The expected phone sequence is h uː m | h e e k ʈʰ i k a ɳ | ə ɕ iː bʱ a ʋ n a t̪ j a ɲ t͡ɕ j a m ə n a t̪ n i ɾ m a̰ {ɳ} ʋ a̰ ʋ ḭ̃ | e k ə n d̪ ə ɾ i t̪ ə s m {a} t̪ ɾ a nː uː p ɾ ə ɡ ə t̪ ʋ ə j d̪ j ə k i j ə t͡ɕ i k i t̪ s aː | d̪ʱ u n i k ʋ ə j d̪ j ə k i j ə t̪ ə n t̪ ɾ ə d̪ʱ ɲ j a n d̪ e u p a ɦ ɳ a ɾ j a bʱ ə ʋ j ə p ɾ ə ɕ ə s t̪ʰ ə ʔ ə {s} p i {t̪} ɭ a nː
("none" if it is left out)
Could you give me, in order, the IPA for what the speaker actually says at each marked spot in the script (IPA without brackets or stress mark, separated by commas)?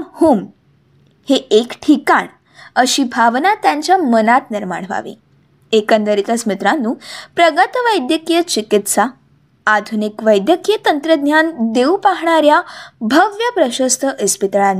ɳ, i, s, t̪